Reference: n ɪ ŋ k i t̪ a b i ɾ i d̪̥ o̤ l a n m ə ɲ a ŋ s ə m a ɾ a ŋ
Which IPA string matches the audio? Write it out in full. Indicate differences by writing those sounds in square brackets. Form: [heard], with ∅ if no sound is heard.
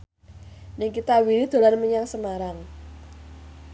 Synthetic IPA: n ɪ ŋ k i t̪ a [w] i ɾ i d̪̥ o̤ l a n m ə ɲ a ŋ s ə m a ɾ a ŋ